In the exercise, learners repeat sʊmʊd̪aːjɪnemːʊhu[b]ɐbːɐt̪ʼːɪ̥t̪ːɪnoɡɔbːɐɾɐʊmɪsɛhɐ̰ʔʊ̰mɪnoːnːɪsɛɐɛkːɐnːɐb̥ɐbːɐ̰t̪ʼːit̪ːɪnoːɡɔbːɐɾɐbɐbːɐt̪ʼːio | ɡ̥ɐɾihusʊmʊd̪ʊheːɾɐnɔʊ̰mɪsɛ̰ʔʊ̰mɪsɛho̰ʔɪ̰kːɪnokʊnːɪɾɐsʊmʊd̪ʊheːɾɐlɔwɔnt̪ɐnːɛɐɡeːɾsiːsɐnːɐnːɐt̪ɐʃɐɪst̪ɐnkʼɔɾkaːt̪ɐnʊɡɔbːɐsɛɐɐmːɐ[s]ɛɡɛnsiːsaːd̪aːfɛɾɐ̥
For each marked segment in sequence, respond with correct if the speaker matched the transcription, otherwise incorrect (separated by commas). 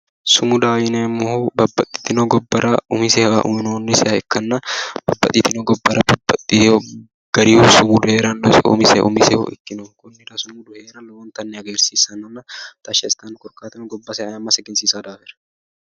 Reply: correct, correct